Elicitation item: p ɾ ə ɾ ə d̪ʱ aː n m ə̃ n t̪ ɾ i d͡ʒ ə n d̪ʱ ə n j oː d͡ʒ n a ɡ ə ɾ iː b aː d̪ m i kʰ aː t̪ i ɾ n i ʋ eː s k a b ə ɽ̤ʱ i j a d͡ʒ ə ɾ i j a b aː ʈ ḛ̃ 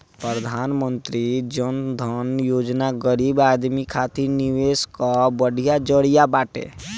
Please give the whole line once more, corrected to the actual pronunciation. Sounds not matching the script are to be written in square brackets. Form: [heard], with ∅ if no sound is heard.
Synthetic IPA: p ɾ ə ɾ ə d̪ʱ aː n m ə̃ n t̪ ɾ i d͡ʒ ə n d̪ʱ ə n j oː d͡ʒ n a ɡ ə ɾ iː b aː d̪ m i kʰ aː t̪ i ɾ n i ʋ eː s k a b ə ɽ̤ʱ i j a d͡ʒ ə [ɽ] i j a b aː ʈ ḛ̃